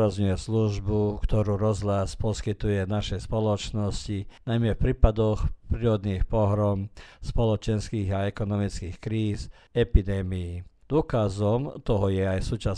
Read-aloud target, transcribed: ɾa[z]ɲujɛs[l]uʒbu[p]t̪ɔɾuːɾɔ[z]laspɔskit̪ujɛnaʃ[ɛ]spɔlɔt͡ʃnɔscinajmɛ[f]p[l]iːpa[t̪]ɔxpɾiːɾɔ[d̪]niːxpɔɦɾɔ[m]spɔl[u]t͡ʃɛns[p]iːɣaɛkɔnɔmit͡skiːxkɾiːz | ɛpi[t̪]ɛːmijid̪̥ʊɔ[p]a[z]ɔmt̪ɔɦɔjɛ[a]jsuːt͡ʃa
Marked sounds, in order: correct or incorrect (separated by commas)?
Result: correct, correct, incorrect, correct, correct, correct, incorrect, incorrect, correct, correct, incorrect, incorrect, incorrect, incorrect, correct, correct